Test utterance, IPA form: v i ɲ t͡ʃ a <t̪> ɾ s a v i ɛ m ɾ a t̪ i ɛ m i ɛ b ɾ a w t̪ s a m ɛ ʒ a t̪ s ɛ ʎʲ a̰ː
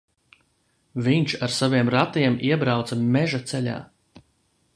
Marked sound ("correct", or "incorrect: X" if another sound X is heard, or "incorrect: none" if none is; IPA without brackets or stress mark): incorrect: none